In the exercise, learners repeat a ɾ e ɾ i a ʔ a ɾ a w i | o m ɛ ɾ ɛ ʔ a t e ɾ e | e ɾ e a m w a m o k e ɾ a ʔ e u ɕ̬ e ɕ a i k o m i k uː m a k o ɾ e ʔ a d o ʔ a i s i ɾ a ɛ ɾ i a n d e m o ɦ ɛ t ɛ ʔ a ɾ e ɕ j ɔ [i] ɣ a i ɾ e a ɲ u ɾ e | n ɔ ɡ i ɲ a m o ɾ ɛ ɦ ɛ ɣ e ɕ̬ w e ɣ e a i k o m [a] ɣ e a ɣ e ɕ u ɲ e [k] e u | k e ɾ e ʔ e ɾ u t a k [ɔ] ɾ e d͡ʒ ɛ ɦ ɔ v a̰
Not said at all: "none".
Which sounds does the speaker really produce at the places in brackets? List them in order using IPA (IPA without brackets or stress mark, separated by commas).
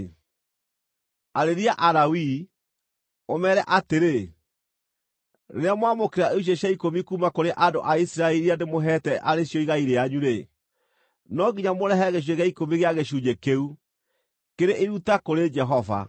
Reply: i, i, k, o